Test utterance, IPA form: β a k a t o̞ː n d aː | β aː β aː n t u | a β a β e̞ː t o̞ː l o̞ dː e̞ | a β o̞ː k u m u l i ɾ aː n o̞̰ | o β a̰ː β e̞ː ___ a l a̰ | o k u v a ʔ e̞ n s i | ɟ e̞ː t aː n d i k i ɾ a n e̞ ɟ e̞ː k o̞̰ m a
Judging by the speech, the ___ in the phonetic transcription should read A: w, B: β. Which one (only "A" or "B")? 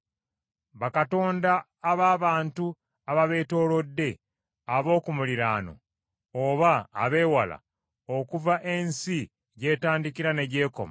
A